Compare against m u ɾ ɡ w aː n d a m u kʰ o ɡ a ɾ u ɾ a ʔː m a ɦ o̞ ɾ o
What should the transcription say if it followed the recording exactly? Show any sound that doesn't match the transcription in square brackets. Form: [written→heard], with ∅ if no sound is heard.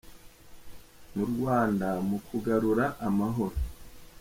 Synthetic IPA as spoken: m u ɾ ɡ w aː n d a m u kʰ [o→u] ɡ a ɾ u ɾ a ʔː m a ɦ o̞ ɾ o

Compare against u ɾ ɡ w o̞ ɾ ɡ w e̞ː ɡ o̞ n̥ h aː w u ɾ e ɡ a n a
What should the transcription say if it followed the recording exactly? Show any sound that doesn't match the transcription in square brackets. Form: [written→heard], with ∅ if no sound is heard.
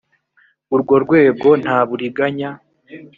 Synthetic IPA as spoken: u ɾ ɡ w o̞ ɾ ɡ w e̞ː ɡ o̞ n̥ h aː [w→β] u ɾ [e→i] ɡ a [n→ɲ] a

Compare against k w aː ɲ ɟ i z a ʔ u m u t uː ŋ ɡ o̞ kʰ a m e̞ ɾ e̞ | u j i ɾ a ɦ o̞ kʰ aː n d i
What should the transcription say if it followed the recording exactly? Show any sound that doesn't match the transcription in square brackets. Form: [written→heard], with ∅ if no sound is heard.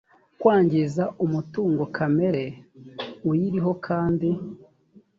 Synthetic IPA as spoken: k w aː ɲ ɟ i z a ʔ u m u t uː ŋ ɡ o̞ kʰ a m e̞ ɾ e̞ | u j i ɾ [a→i] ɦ o̞ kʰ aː n d i

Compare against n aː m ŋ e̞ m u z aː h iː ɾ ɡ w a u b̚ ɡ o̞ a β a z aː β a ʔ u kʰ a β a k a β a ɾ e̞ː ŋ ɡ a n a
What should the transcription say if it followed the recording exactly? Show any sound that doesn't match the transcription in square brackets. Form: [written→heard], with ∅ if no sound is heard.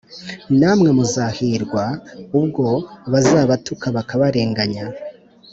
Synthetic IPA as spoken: n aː m ŋ e̞ m u z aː h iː ɾ ɡ w a u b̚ ɡ o̞ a β a z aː β a [ʔ→t] u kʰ a β a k a β a ɾ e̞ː ŋ ɡ a [n→ɲ] a

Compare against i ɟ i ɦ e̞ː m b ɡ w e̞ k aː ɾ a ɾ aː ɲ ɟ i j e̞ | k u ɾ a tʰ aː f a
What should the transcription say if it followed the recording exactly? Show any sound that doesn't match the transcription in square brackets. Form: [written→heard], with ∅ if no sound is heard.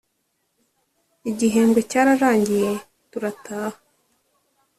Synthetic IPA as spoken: i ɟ i ɦ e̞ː m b ɡ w e̞ [k→c] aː ɾ a ɾ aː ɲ ɟ i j e̞ | [k→t] u ɾ a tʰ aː [f→h] a

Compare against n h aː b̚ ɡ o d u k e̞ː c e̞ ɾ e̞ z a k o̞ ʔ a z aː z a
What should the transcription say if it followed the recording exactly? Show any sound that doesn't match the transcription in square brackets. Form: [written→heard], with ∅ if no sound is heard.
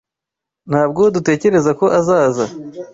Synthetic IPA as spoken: n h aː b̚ ɡ o d u [k→t] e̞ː c e̞ ɾ e̞ z a k o̞ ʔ a z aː z a

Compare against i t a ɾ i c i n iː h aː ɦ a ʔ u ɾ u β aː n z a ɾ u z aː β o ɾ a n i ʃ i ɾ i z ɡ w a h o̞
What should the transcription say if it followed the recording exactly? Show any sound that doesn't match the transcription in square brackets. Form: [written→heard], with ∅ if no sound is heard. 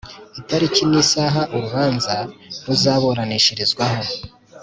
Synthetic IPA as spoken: i t a ɾ i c i n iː [h→s] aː ɦ a ʔ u ɾ u β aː n z a ɾ u z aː β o ɾ a n i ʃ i ɾ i z ɡ w a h o̞

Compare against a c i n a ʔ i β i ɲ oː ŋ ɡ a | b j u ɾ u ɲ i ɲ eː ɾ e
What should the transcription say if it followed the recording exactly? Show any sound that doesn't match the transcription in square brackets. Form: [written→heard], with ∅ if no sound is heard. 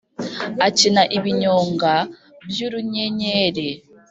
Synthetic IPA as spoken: a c i n a ʔ i β i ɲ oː ŋ ɡ a | b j u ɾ u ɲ [i→e] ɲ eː ɾ e

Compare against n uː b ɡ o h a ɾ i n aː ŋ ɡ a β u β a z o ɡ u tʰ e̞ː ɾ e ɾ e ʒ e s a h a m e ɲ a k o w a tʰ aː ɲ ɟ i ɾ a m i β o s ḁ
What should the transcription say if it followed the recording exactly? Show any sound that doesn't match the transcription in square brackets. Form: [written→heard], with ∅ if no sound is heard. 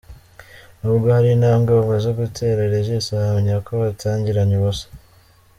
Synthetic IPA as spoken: n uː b ɡ o h a ɾ i n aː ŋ ɡ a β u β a z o ɡ u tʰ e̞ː ɾ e ɾ e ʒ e s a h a m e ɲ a k o [w→β] a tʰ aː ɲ ɟ i ɾ a [m→ɲ] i β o s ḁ

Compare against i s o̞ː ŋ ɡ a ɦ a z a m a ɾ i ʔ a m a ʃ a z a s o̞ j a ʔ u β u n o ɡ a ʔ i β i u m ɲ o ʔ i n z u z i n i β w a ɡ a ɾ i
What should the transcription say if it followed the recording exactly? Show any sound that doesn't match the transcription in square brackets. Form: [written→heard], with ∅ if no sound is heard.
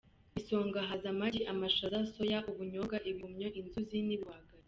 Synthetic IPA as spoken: i s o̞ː ŋ ɡ a ɦ a z a m a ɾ i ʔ a m a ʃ a z a s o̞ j a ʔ u β u [n→ɲ] o ɡ a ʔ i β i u m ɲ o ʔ i n z u z i n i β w a ɡ a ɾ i

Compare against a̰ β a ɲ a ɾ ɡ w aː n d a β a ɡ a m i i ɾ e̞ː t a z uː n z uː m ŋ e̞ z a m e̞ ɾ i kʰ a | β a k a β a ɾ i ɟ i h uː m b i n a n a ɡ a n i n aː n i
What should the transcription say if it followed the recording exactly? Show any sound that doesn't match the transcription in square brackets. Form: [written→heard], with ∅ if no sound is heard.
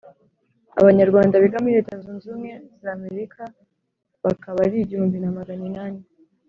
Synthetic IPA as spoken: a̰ β a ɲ a ɾ ɡ w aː n d a β [a→i] ɡ a m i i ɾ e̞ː t a z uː n z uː m ŋ e̞ z a m e̞ ɾ i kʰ a | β a k a β a ɾ i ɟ i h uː m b i n a [n→m] a ɡ a n i n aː n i

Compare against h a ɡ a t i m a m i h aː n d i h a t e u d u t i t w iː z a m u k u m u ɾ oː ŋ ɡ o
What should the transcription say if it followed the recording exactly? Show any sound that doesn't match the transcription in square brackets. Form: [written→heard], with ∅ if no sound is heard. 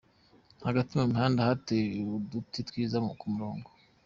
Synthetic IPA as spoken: h a ɡ a t i m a m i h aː n d [i→a] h a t e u d u t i t w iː z a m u k u m u ɾ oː ŋ ɡ o

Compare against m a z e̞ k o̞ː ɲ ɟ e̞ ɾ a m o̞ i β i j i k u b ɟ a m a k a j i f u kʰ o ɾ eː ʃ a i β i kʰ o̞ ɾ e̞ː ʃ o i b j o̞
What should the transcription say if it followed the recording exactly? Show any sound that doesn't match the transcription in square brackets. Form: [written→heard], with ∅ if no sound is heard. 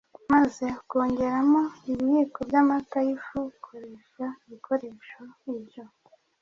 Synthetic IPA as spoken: m a z e̞ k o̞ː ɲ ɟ e̞ ɾ a m o̞ i β i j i k [u→o] b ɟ a m a k a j i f u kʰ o ɾ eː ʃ a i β i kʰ o̞ ɾ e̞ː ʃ o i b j o̞

